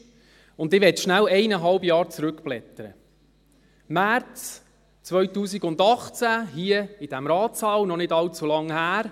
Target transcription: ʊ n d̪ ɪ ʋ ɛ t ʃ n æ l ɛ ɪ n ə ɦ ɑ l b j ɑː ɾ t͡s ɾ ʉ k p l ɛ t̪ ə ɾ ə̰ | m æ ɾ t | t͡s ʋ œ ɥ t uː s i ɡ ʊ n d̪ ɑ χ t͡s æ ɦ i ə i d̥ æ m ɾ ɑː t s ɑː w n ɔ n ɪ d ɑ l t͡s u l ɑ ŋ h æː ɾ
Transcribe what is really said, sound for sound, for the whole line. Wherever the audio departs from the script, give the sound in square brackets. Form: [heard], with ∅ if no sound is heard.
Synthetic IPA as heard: ʊ n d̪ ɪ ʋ ɛ t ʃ n æ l ɛ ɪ n ə ɦ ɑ l b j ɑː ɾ t͡s ɾ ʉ k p l ɛ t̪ ə ɾ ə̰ | m æ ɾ [t͡s] | t͡s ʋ œ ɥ t uː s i ɡ ʊ n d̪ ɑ χ t͡s æ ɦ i ə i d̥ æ m ɾ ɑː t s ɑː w n ɔ n ɪ d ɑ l t͡s u l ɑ ŋ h æː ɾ